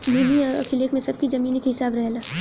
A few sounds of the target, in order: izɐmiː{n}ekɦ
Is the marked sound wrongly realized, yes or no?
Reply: no